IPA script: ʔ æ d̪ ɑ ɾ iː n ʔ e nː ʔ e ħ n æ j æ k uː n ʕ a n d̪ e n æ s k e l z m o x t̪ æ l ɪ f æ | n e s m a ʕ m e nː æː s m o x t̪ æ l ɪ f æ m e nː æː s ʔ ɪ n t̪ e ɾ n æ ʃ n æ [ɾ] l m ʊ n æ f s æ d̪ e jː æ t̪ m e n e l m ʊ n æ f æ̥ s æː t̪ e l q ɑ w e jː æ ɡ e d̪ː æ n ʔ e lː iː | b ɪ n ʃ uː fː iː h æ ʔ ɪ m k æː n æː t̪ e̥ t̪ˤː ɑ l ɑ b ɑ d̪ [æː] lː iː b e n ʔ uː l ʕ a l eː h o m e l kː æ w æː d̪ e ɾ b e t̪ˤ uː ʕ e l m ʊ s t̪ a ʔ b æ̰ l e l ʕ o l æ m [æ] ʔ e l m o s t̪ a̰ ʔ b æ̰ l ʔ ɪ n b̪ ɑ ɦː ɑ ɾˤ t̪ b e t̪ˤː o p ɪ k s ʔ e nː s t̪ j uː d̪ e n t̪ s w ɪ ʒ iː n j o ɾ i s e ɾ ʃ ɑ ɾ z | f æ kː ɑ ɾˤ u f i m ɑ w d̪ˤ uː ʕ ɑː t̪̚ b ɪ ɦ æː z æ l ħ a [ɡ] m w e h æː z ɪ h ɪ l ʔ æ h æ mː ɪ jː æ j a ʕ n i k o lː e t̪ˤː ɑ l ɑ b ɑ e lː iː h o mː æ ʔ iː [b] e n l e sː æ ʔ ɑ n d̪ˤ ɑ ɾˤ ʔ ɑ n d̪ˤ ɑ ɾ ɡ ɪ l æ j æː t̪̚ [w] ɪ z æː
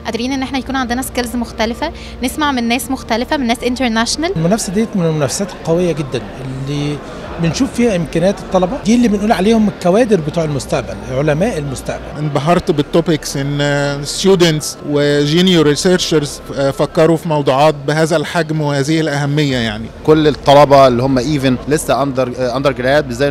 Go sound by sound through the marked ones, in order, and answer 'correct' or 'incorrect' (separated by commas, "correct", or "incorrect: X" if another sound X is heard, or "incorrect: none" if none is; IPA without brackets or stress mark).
incorrect: l, incorrect: iː, incorrect: æː, correct, incorrect: v, incorrect: b